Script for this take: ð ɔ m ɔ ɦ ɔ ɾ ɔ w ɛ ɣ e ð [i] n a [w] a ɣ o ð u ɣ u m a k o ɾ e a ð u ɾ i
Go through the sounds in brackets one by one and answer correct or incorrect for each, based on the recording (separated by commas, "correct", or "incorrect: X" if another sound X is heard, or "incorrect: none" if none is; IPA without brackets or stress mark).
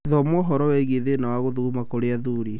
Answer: incorrect: e, correct